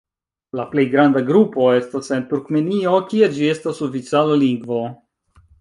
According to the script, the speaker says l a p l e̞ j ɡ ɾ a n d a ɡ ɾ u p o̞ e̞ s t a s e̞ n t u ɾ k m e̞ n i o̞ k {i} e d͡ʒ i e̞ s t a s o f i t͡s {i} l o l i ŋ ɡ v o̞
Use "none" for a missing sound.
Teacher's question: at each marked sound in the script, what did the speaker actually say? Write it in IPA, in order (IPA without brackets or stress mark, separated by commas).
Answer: i, a